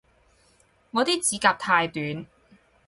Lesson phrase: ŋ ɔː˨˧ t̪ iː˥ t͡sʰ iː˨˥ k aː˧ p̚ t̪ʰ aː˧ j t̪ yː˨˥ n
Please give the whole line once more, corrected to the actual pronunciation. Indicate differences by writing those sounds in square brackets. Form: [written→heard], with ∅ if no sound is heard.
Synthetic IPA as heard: ŋ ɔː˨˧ t̪ iː˥ [t͡sʰ→t͡s] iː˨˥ k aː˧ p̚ t̪ʰ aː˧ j t̪ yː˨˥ n